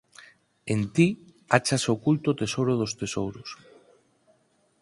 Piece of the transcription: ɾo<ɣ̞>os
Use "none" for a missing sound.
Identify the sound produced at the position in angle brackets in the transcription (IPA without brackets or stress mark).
ð̞